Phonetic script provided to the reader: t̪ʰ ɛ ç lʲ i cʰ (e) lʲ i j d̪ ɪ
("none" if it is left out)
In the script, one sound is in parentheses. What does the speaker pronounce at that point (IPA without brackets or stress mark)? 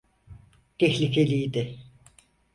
e